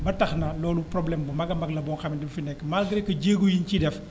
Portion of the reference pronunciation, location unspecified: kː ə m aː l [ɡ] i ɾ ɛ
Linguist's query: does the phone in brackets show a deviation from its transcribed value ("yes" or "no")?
no